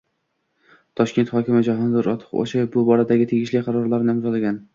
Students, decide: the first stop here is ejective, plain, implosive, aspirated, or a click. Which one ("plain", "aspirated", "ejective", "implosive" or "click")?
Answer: aspirated